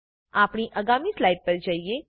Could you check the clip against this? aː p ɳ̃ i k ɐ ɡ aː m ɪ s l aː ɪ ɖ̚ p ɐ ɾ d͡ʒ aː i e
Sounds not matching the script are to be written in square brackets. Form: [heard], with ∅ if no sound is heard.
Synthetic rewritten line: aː p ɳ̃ i [ʔ] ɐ ɡ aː m [i] s l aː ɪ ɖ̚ p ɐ ɾ d͡ʒ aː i e